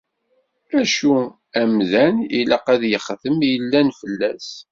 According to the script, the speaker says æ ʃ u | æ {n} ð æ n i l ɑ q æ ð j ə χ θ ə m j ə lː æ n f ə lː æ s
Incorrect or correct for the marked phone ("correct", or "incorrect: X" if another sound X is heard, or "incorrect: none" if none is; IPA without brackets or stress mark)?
incorrect: m